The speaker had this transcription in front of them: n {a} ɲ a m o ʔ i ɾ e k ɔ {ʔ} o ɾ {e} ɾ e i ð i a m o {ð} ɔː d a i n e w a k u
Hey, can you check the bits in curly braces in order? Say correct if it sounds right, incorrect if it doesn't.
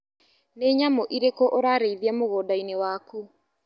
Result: incorrect: e, correct, incorrect: a, incorrect: ɣ

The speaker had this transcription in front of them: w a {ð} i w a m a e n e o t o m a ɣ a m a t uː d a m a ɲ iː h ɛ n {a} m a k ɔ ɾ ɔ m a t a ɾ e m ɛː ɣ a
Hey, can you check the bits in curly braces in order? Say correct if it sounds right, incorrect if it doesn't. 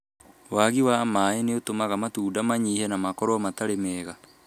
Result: incorrect: ɣ, correct

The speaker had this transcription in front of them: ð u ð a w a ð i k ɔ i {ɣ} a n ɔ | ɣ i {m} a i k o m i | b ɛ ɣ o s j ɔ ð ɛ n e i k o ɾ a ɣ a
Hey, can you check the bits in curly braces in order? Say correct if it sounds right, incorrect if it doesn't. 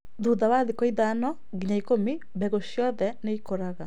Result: incorrect: ð, incorrect: ɲ

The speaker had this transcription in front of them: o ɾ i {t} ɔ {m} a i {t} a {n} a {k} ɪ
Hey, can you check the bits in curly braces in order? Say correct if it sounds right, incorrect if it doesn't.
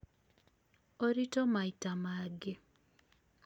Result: correct, correct, correct, incorrect: m, incorrect: ɡ

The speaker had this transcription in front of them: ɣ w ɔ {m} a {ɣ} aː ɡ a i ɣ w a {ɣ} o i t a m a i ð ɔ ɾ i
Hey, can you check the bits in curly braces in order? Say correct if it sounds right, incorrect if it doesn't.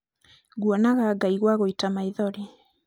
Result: incorrect: n, correct, correct

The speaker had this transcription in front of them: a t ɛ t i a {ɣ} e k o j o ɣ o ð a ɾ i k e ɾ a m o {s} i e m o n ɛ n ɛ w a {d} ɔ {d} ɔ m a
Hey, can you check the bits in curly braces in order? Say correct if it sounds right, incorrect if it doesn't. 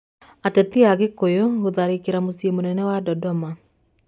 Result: correct, correct, correct, correct

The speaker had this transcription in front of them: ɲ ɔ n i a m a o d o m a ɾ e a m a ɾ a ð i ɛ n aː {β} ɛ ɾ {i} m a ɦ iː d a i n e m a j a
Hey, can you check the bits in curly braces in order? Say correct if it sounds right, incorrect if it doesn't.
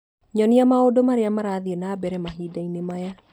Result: incorrect: b, incorrect: ɛ

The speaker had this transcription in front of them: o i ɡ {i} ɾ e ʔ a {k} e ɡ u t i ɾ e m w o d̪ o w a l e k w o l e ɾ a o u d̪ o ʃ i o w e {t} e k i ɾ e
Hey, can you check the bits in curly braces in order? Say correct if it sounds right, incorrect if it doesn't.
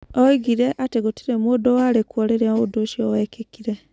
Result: correct, incorrect: t, incorrect: k

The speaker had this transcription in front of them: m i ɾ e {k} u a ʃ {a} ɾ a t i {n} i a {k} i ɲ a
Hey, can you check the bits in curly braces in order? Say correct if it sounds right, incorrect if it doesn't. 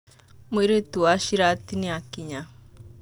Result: incorrect: t, incorrect: i, correct, correct

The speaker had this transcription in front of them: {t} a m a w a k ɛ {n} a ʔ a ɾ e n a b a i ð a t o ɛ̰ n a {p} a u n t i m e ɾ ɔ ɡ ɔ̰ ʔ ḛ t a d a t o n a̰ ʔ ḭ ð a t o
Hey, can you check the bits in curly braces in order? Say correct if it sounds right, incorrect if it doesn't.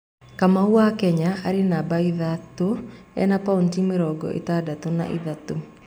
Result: incorrect: k, incorrect: ɲ, correct

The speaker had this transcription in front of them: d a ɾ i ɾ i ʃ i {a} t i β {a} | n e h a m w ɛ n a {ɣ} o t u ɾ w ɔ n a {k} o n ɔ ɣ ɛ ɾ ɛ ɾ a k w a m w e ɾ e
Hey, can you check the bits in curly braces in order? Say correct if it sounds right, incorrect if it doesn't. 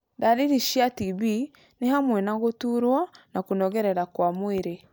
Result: correct, incorrect: i, correct, correct

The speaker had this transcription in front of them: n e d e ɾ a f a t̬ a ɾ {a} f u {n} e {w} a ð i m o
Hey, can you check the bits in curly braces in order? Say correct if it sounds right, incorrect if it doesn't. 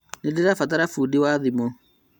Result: correct, incorrect: d, correct

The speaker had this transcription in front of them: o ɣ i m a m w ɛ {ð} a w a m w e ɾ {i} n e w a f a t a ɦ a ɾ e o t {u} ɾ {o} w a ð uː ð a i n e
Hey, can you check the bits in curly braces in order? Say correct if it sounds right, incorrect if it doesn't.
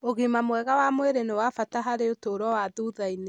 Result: incorrect: ɣ, incorrect: e, incorrect: o, incorrect: ɔ

